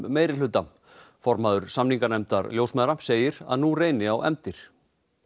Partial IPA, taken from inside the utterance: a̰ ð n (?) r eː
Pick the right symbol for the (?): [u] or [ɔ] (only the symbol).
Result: u